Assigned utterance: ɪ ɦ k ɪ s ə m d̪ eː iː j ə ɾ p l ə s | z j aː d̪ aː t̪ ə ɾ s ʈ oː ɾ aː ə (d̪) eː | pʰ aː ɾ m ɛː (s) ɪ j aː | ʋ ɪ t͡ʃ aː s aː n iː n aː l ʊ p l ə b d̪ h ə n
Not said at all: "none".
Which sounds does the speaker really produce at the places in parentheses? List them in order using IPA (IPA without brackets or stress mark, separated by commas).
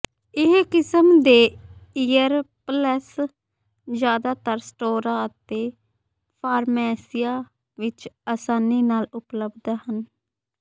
t̪, s